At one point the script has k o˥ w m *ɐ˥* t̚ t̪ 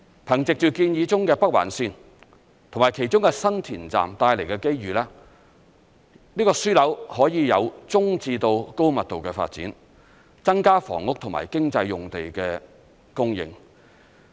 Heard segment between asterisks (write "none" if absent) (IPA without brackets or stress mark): ɐ˨